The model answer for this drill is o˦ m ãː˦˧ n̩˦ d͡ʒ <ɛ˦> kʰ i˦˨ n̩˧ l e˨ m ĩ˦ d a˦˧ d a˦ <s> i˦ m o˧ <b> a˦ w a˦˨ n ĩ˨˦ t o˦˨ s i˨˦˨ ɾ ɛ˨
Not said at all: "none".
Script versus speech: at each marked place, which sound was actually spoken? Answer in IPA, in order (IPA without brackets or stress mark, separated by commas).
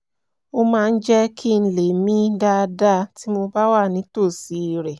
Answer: ɛ˦, t, b